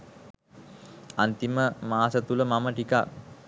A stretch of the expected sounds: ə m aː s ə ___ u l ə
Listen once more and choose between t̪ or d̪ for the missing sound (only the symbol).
t̪